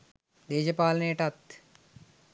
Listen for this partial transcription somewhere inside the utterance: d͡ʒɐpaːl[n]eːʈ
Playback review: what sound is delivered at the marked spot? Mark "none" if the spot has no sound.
n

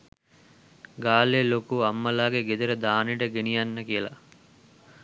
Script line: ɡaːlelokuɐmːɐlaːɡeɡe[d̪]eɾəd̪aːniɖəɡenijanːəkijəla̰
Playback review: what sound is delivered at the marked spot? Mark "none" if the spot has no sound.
d̪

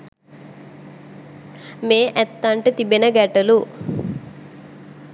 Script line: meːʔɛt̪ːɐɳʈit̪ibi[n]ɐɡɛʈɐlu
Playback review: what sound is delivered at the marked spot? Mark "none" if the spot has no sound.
n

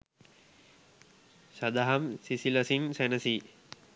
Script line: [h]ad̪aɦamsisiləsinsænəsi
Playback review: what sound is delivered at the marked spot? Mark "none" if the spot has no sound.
s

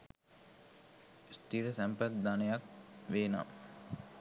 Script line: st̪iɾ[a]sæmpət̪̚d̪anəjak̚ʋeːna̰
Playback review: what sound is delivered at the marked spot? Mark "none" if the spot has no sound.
ə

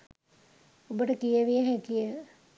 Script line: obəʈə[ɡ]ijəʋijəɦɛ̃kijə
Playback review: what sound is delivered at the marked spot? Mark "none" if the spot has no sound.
k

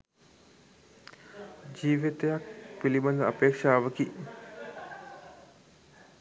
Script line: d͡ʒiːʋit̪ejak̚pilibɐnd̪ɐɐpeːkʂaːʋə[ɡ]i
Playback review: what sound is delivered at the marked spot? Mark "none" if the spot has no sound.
k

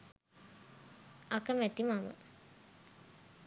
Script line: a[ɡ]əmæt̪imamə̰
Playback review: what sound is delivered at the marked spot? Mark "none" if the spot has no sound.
k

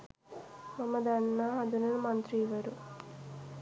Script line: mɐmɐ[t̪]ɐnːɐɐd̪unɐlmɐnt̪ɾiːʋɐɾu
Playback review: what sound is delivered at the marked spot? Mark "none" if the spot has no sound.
d̪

